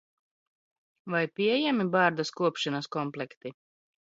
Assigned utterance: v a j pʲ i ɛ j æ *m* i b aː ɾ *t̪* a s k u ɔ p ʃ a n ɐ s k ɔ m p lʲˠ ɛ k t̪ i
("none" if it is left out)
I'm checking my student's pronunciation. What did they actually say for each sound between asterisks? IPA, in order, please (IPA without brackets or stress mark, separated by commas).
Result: m, d̪